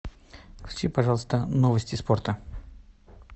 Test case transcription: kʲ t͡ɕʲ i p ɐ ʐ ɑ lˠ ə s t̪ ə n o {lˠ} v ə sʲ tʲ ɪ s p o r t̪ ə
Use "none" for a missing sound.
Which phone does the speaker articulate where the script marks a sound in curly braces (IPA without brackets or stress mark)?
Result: none